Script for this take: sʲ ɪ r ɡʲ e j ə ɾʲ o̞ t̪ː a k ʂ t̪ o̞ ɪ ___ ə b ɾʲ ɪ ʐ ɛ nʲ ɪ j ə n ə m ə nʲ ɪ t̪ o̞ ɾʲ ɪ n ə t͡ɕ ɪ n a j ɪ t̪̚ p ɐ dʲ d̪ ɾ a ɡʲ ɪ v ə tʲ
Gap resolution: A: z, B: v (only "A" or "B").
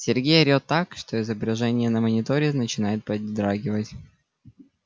A